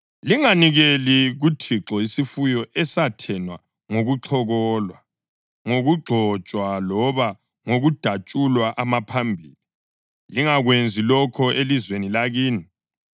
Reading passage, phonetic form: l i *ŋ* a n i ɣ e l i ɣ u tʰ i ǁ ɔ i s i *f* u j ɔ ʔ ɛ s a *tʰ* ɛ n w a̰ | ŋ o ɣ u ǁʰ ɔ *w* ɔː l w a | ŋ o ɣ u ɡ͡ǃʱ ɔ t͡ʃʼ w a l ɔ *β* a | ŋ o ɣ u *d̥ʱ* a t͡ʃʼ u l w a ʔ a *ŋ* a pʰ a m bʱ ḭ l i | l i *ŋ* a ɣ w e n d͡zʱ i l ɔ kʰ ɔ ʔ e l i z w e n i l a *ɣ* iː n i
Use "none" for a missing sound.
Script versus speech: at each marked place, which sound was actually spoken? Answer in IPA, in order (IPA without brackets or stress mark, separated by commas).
ŋ, f, tʰ, ɣ, β, d̥ʱ, m, ŋ, ɣ